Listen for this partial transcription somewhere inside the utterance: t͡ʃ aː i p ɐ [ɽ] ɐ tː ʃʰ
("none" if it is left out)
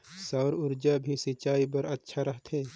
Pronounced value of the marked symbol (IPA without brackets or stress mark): ɾ